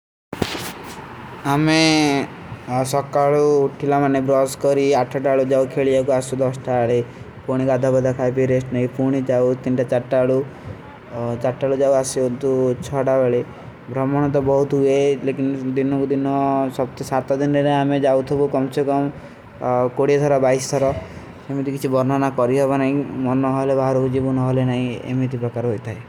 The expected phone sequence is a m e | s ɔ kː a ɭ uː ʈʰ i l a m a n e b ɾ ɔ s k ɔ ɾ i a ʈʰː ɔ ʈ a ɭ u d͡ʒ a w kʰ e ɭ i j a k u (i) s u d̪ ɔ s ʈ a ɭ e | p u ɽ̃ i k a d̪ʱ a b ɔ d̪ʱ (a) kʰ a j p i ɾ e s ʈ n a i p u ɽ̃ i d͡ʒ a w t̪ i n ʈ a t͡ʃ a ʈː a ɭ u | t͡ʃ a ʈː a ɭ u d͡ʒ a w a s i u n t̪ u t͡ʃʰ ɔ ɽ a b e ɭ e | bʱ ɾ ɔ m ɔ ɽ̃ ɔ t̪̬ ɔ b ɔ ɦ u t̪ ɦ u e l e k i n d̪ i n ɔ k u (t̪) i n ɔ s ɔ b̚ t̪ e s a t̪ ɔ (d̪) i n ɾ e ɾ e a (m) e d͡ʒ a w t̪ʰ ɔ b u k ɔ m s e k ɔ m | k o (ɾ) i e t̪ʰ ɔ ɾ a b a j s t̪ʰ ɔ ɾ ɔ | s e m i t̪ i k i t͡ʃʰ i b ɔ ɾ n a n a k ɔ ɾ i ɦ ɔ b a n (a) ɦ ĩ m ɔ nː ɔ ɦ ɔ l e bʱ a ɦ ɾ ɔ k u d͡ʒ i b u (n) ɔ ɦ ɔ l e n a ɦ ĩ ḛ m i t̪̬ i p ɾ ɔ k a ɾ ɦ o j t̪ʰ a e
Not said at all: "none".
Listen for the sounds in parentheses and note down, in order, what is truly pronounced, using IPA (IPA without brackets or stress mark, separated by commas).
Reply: a, a, d̪, d̪, m, ɽ, a, n